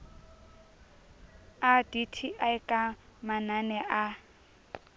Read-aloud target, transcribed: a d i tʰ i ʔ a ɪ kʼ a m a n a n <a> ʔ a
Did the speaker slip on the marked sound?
yes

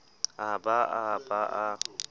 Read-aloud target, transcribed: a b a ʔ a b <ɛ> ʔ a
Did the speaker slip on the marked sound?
yes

